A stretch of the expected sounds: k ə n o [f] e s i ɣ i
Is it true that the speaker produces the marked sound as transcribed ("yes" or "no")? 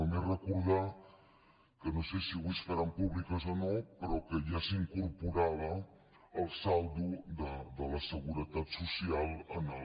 no